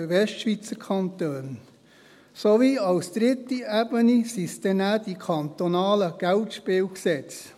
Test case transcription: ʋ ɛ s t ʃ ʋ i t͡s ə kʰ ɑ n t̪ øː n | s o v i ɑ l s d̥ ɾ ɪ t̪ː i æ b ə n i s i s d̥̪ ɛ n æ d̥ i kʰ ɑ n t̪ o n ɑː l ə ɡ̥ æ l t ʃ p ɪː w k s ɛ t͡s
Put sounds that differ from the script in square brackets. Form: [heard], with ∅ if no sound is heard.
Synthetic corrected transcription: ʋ ɛ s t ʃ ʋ i t͡s ə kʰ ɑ n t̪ øː n | s o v i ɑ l s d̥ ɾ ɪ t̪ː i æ b ə n i s i s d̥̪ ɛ n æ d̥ i kʰ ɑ n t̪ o n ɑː l ə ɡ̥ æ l t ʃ p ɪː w k s ɛ t͡s

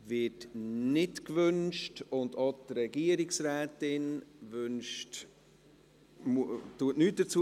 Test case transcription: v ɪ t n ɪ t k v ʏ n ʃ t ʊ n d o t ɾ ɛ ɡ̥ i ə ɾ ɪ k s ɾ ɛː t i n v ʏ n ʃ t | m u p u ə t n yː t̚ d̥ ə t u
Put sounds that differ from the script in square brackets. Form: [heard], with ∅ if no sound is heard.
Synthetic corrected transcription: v ɪ t n ɪ t k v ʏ n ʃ t ʊ n d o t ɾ ɛ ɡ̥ i ə ɾ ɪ k s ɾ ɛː t [ɪ] n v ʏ n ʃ t | m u [t] u ə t n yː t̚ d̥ ə [t͡s] u

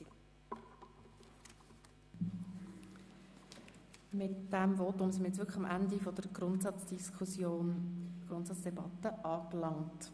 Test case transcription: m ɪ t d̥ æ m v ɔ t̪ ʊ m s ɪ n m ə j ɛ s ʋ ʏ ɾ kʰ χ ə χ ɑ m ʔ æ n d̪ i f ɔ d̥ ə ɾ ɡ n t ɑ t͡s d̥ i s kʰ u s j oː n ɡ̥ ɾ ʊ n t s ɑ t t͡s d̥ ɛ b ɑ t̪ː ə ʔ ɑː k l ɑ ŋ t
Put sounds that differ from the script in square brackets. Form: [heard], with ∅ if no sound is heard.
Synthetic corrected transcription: m ɪ t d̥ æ m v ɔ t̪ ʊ m s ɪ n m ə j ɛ [t͡s] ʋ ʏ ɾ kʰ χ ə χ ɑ m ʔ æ n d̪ i f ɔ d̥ ə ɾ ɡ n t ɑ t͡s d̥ i s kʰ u s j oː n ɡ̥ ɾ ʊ n t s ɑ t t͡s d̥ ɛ b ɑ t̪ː ə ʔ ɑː k l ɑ ŋ t

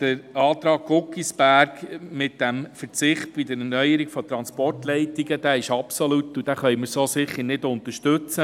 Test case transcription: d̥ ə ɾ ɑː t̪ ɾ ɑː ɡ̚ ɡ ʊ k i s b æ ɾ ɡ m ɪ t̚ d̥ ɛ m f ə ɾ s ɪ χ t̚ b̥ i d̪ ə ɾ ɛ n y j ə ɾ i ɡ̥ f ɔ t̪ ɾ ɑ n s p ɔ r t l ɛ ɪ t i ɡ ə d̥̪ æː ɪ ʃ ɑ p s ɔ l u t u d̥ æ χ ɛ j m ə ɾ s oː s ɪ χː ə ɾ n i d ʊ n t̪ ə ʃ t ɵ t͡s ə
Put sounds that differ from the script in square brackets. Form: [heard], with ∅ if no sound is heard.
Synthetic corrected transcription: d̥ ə ɾ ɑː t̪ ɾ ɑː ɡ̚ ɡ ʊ k i s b æ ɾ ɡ m ɪ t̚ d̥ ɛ m f ə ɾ [t͡s] ɪ χ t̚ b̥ i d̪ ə ɾ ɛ n [œ] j ə ɾ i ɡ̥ f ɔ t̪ ɾ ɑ n s p ɔ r t l ɛ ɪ t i ɡ ə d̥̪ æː ɪ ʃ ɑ p s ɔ l u t u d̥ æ χ [œ] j m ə ɾ s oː s ɪ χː ə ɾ n [ɪ] d ʊ n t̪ ə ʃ t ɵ t͡s ə

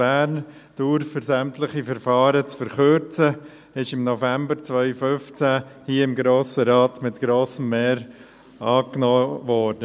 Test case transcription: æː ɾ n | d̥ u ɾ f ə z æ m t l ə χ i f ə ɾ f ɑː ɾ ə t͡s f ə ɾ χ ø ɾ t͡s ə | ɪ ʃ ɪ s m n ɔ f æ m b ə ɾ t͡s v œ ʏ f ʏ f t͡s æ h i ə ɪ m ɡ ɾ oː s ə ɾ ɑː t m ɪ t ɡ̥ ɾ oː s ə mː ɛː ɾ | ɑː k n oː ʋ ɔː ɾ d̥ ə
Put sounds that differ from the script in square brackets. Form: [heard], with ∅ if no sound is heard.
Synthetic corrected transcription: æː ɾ n | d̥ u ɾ f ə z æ m t l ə χ i f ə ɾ f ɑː ɾ ə t͡s f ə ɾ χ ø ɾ t͡s ə | ɪ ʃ ɪ [∅] m n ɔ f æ m b ə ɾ t͡s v œ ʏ f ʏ f t͡s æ h i ə ɪ m ɡ ɾ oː s ə ɾ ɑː t m ɪ t ɡ̥ ɾ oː s ə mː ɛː ɾ | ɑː k n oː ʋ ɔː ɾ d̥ ə

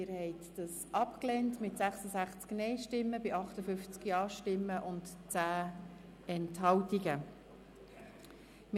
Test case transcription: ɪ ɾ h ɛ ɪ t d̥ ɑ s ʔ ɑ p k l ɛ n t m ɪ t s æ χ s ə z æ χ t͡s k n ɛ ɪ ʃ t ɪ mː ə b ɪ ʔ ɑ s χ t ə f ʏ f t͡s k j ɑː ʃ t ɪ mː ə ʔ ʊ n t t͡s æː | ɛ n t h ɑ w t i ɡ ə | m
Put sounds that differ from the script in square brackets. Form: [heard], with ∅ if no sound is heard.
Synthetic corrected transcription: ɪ ɾ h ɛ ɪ t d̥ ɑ s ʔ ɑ p k l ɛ n t m ɪ t s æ χ s ə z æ χ t͡s k n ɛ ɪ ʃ t ɪ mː ə b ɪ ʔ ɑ [∅] χ t ə f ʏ f t͡s k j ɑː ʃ t ɪ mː ə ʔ ʊ n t t͡s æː | ɛ n t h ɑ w t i ɡ ə | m

